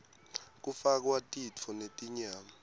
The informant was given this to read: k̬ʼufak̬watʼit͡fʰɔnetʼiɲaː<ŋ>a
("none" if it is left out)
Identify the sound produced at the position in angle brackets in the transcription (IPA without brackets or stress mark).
m